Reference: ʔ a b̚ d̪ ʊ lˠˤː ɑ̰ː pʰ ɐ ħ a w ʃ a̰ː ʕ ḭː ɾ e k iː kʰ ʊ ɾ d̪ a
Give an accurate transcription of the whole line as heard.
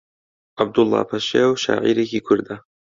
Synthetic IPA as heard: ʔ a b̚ d̪ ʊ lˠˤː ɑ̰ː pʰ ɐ ʃ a w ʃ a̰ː ʕ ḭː ɾ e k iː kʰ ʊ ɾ d̪ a